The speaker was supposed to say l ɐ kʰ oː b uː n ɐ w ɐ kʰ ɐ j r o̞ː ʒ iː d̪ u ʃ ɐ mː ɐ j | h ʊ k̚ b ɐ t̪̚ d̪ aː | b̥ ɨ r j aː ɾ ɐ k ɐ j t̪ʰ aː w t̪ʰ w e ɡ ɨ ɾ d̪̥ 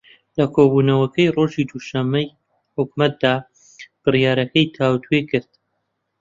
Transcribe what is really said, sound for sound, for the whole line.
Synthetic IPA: l ɐ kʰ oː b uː n ɐ w ɐ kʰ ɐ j r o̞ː ʒ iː d̪ u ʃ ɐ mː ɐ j | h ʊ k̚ m ɐ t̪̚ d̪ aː | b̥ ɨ r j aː ɾ ɐ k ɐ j t̪ʰ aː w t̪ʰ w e k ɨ ɾ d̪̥